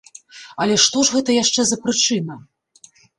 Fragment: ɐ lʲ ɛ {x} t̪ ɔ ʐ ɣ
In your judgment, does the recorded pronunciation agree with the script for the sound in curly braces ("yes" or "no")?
no